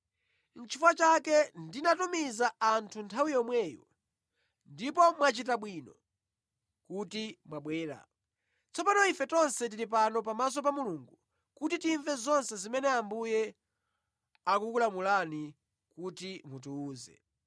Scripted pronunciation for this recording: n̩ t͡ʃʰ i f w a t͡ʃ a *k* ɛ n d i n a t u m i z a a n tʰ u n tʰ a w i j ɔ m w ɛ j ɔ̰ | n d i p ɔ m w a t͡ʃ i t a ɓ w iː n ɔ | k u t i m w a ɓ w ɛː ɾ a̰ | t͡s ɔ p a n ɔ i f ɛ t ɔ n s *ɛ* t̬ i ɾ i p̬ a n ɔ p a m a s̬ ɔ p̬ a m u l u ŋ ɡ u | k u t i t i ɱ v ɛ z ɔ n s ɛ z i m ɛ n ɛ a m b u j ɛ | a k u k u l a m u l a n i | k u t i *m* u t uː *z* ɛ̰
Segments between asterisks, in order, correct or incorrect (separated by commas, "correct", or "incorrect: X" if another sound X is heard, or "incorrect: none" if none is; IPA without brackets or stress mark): correct, correct, correct, correct